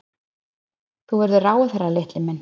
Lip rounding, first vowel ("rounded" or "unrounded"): rounded